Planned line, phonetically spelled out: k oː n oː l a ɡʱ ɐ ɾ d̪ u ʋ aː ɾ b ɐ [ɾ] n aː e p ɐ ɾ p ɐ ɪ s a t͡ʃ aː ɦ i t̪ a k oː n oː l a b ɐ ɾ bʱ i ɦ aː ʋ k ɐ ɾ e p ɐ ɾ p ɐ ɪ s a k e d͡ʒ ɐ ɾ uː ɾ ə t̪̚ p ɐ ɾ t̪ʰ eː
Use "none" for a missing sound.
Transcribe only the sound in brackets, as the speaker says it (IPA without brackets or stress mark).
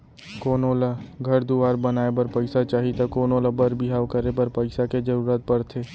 none